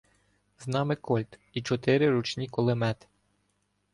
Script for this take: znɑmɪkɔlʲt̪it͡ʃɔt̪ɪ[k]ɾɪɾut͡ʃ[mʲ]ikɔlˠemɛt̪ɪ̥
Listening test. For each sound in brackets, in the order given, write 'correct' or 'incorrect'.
incorrect: none, incorrect: nʲ

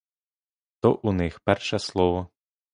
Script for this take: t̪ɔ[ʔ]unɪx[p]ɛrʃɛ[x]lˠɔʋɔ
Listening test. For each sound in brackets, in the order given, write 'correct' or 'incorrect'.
correct, correct, incorrect: s

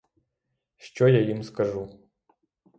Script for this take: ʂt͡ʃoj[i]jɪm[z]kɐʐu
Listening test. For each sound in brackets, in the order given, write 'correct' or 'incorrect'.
incorrect: a, incorrect: s

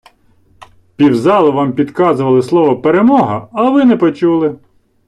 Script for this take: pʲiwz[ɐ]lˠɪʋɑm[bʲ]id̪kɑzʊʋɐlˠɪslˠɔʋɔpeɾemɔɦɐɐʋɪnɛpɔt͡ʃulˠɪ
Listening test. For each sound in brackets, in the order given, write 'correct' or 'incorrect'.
incorrect: ɑ, incorrect: pʲ

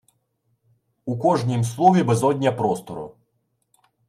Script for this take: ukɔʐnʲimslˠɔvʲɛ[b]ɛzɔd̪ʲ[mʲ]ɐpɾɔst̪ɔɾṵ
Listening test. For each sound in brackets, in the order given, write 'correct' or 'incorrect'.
correct, incorrect: nʲ

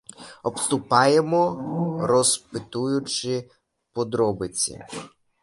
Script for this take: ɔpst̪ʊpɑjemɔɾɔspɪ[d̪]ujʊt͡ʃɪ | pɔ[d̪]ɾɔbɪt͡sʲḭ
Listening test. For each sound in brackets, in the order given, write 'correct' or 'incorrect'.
incorrect: t̪, correct

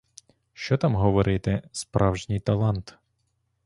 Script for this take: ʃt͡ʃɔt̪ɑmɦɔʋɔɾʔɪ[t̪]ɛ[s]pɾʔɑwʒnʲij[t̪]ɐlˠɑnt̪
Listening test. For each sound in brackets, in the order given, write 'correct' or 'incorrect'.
correct, correct, correct

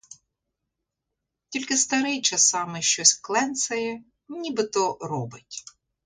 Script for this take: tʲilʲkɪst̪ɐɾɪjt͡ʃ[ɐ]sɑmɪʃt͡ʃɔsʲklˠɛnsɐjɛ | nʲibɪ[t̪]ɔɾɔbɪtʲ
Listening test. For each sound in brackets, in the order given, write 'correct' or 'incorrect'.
correct, correct

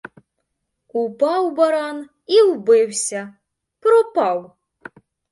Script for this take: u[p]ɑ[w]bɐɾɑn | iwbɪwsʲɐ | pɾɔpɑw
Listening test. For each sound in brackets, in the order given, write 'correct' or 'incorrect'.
correct, correct

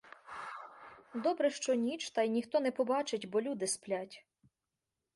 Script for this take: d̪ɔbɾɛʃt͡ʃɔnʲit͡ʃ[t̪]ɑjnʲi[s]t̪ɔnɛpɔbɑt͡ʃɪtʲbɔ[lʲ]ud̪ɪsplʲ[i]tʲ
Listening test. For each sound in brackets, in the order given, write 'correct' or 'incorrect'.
correct, incorrect: x, correct, incorrect: a

